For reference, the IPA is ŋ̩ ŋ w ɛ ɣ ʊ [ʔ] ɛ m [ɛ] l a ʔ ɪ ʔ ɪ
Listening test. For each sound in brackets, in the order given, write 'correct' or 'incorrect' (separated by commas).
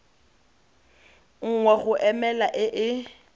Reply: correct, correct